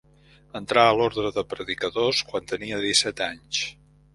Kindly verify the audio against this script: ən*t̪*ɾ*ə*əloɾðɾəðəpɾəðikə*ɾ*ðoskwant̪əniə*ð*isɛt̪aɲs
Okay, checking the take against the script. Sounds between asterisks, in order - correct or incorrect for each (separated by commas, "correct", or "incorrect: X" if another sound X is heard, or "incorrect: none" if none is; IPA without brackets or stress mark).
correct, incorrect: a, incorrect: none, correct